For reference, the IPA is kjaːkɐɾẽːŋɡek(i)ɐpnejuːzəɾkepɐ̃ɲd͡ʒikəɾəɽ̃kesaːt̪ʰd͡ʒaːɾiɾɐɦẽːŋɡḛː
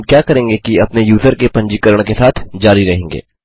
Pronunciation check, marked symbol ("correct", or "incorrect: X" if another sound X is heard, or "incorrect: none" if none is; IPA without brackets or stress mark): correct